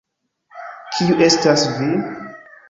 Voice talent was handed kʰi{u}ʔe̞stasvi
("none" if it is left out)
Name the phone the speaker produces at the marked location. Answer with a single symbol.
u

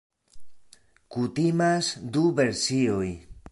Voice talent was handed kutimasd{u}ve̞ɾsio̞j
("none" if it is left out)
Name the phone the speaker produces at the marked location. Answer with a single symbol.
u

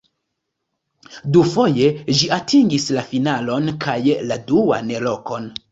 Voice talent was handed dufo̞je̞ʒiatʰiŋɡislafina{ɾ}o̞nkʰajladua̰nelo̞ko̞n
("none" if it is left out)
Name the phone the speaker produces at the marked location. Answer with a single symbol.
l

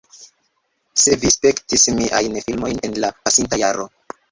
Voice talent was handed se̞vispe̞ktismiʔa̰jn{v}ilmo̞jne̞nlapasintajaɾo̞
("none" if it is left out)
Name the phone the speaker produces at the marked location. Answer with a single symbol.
f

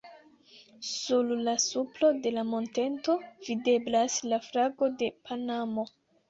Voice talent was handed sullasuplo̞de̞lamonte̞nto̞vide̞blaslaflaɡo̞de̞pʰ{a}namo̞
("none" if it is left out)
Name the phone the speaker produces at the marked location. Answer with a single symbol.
a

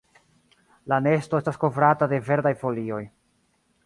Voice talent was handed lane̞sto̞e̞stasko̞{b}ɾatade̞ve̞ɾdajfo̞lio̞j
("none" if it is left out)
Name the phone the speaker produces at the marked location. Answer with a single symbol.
v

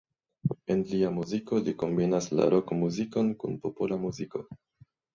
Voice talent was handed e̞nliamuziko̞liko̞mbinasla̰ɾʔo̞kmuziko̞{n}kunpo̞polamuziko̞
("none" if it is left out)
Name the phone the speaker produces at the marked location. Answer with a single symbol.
n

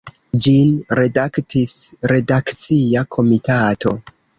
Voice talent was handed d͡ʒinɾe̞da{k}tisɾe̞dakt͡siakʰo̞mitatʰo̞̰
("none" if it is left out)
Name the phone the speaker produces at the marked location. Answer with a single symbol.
k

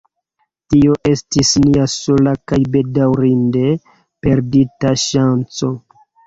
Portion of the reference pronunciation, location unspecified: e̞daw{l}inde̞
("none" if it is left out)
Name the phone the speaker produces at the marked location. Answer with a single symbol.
ɾ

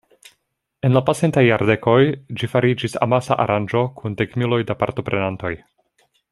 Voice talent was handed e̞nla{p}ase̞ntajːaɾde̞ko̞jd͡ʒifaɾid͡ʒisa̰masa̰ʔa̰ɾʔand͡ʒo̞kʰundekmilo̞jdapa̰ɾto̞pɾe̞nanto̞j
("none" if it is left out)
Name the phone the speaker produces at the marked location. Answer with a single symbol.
p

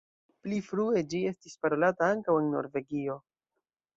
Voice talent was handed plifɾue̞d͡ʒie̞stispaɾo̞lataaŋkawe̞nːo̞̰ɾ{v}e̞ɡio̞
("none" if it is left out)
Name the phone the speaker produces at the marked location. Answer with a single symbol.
v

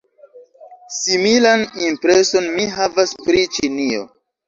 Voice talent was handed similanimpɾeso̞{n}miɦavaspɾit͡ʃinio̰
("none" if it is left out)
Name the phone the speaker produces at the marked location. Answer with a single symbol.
n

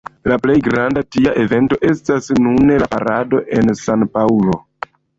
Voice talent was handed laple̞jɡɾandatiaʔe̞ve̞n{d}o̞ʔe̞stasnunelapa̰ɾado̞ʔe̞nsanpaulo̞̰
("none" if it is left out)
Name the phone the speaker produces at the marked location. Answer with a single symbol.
t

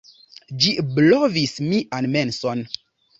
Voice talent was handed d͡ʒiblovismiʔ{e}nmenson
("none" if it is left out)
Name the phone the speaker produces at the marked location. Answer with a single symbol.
a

